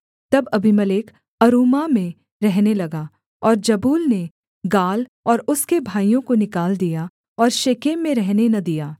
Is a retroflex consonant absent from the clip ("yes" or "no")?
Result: yes